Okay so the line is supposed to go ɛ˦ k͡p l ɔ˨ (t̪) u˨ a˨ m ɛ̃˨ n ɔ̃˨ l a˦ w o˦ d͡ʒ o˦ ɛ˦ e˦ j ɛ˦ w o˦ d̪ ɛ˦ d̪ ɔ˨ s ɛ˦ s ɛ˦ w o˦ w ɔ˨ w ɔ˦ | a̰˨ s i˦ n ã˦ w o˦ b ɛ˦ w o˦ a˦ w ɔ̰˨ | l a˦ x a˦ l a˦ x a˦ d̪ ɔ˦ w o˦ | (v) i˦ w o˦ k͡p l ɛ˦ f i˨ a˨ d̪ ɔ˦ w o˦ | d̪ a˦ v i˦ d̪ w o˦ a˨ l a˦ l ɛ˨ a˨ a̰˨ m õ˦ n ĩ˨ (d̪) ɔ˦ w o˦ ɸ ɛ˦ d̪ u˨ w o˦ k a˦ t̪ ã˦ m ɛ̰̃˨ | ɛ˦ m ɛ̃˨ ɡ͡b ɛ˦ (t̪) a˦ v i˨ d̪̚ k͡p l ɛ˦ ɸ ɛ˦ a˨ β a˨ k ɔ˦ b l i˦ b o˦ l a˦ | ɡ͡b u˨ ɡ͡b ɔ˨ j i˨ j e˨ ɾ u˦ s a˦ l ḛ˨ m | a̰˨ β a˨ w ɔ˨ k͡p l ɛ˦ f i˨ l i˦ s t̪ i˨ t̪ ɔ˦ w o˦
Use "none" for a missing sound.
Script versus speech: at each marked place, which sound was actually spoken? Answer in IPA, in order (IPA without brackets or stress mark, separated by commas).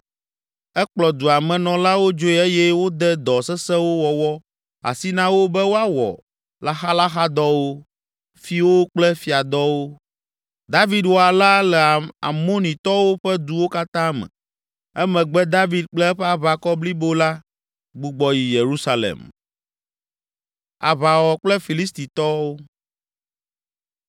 d̪, f, t̪, d̪